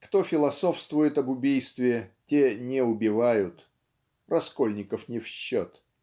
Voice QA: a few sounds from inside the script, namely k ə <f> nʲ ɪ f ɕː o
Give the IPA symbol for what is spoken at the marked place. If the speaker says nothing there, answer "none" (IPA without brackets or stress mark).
f